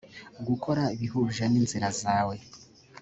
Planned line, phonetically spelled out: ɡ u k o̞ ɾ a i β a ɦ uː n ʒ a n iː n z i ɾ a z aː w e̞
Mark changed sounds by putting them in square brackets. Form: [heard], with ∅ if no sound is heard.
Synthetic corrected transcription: ɡ u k o̞ ɾ a i β [i] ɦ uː [∅] ʒ a n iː n z i ɾ a z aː w e̞